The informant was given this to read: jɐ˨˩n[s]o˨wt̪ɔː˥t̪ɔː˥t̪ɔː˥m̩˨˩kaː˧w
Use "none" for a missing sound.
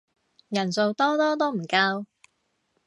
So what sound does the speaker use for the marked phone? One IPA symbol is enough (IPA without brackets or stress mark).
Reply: s